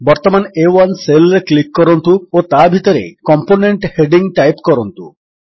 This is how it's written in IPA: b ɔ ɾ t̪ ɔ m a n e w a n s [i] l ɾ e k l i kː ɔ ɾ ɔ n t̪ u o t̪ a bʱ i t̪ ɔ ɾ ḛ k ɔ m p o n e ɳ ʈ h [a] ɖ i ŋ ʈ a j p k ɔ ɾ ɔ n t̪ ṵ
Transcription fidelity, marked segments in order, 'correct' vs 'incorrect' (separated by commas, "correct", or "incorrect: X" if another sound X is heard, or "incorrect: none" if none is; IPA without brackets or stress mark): incorrect: e, incorrect: e